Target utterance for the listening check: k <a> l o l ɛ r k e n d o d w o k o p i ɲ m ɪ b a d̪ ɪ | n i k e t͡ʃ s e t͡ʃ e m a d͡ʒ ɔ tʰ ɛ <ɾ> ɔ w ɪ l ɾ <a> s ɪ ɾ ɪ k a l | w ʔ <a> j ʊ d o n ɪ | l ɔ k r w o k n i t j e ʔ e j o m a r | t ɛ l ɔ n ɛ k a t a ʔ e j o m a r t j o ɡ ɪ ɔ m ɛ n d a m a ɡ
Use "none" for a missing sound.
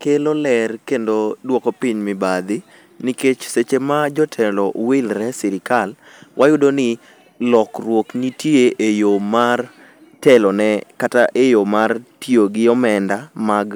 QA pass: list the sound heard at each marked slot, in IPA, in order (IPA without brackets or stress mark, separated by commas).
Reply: e, l, ɛ, a